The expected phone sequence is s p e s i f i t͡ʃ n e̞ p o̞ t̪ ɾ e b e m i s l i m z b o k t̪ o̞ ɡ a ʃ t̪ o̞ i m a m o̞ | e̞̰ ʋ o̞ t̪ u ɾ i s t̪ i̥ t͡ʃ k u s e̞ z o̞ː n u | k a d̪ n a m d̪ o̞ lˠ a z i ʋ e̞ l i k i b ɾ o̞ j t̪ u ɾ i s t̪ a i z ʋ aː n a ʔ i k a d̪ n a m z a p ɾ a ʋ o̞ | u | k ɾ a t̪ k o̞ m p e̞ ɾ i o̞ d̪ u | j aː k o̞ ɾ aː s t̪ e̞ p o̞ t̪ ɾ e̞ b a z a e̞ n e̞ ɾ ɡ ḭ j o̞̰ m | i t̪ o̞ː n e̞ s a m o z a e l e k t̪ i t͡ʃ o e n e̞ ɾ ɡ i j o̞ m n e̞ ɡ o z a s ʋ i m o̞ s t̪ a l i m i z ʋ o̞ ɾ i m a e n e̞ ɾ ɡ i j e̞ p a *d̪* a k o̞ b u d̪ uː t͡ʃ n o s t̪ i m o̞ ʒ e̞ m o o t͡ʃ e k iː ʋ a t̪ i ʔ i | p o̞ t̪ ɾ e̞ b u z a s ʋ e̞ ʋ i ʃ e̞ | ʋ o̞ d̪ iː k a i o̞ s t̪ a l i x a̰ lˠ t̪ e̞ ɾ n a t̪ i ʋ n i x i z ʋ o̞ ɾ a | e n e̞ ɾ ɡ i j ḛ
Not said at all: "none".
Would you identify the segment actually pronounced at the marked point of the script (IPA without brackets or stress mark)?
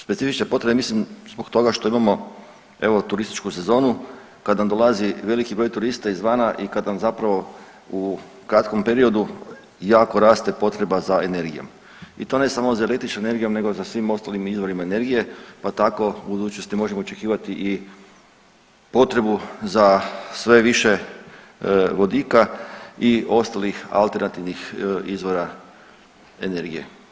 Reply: t̪